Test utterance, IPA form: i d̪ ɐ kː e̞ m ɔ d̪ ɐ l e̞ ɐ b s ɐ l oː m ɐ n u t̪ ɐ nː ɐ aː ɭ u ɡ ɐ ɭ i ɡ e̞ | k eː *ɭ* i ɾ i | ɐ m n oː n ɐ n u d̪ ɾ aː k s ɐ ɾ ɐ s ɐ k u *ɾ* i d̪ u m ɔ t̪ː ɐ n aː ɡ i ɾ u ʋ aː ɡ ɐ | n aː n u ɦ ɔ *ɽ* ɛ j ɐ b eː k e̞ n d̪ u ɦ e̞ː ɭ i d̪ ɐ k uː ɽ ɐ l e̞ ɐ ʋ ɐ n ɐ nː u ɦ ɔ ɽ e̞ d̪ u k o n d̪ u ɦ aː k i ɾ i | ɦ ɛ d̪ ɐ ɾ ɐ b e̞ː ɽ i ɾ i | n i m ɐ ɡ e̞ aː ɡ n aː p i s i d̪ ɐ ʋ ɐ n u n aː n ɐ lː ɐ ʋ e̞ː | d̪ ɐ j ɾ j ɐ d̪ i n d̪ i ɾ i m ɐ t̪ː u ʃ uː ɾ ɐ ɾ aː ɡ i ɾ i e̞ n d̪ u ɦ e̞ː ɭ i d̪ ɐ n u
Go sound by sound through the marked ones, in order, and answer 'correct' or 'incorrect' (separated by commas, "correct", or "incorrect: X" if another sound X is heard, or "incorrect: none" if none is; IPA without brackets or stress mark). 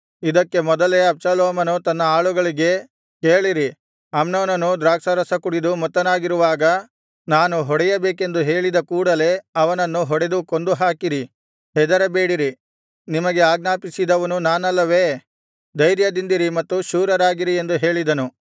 correct, incorrect: ɽ, correct